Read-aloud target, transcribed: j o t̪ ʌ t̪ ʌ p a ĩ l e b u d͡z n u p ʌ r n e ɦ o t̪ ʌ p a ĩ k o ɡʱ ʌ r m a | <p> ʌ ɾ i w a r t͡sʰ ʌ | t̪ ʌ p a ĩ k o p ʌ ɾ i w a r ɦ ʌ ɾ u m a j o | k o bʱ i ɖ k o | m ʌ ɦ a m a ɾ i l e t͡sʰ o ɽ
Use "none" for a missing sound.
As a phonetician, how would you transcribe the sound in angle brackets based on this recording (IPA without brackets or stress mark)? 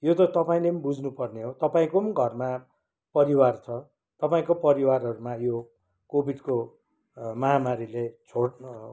p